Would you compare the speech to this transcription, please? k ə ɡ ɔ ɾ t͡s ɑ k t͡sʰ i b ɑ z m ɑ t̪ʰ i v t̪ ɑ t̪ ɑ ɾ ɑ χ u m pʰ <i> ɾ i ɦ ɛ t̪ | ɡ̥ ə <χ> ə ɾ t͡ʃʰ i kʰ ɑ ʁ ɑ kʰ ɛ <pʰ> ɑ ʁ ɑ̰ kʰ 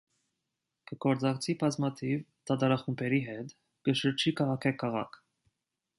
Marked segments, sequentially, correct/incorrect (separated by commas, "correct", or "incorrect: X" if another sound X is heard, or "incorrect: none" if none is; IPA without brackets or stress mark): incorrect: ɛ, incorrect: ʃ, incorrect: kʰ